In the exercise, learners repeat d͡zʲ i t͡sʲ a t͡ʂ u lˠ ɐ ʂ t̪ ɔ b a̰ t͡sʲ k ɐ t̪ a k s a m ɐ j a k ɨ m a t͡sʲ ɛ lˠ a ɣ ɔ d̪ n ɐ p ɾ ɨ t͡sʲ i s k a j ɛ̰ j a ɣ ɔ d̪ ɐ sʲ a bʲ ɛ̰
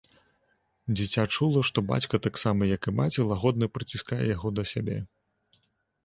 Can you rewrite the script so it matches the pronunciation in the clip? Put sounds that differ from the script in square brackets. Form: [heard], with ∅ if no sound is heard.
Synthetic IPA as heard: d͡zʲ i t͡sʲ a t͡ʂ u lˠ ɐ ʂ t̪ ɔ b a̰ t͡sʲ k ɐ t̪ a k s a m ɐ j [ɐ] k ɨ m a t͡sʲ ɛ lˠ a ɣ ɔ d̪ n ɐ p ɾ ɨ t͡sʲ i s k a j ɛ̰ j a ɣ ɔ d̪ ɐ sʲ a bʲ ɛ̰